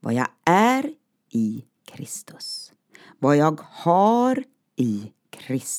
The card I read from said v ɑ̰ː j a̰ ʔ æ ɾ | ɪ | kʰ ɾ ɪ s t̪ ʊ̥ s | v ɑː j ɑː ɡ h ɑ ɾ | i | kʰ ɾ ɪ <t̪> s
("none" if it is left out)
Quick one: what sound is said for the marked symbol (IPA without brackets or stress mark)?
none